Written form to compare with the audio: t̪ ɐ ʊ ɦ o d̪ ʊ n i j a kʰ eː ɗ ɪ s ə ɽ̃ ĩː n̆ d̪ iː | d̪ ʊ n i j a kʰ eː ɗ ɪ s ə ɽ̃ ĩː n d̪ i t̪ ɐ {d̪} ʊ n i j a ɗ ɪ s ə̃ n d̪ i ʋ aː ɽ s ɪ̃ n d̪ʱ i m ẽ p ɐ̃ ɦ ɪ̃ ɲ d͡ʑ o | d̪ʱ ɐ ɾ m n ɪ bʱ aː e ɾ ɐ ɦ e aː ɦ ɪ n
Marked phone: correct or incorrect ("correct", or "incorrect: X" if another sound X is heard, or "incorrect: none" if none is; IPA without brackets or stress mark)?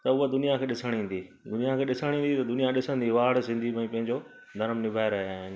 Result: correct